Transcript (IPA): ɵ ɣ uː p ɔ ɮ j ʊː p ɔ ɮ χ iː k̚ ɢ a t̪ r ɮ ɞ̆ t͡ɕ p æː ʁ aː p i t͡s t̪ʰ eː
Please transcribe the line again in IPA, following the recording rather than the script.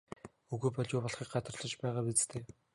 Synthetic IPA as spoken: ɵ ɣ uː p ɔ ɮ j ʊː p ɔ ɮ χ iː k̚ ɢ a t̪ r ɮ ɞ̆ t͡ɕ p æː ʁ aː p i t͡s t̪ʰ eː